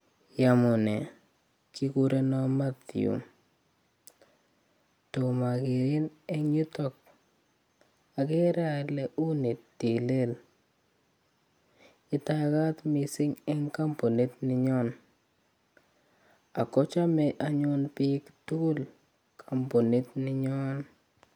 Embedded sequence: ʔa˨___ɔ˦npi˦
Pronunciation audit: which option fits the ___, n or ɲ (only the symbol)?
ɲ